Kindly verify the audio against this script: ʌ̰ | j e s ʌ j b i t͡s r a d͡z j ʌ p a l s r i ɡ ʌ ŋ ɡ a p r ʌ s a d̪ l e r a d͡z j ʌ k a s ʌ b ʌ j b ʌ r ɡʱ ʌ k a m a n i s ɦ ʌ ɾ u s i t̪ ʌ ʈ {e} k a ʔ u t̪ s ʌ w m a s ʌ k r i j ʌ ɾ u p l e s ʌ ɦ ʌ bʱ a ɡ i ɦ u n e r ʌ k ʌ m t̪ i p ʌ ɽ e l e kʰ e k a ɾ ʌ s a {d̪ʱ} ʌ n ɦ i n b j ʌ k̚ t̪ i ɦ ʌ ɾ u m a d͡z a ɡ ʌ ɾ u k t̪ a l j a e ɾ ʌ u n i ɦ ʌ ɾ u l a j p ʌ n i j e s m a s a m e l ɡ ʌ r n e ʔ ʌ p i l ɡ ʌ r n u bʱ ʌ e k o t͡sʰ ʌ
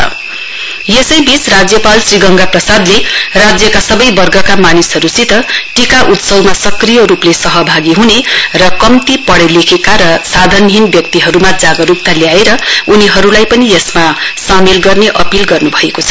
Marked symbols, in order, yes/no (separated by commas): no, yes